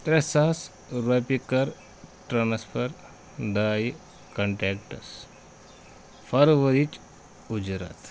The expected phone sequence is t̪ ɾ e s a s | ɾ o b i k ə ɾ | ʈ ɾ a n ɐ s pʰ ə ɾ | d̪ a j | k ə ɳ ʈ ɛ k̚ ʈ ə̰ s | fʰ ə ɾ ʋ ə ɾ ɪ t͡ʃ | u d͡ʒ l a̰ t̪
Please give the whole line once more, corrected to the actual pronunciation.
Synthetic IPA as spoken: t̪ ɾ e s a s | ɾ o p i k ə ɾ | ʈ ɾ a n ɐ s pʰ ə ɾ | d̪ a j | k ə ɳ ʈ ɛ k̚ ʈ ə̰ s | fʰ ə ɾ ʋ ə ɾ i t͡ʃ | u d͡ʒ ɾ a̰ t̪